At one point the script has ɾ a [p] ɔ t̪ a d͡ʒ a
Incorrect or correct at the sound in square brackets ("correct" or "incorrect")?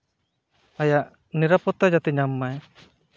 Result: correct